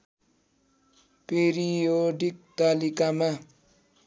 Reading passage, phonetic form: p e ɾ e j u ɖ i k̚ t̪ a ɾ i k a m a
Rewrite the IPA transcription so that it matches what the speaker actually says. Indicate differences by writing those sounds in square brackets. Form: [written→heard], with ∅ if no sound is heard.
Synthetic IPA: p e ɾ [e→i] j [u→o] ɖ i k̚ t̪ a [ɾ→l] i k a m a